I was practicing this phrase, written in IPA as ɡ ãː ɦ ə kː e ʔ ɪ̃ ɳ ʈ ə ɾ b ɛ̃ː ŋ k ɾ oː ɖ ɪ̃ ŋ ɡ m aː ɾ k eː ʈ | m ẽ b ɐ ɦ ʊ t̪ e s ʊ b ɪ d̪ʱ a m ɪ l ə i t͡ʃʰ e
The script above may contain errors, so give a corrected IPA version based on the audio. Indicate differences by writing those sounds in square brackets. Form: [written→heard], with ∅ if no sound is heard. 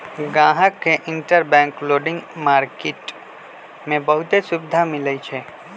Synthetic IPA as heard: ɡ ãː ɦ ə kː e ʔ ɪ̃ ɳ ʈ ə ɾ b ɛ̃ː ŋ k [ɾ→l] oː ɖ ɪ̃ ŋ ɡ m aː ɾ k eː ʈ | m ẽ b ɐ ɦ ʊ t̪ e s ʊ b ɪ d̪ʱ a m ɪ l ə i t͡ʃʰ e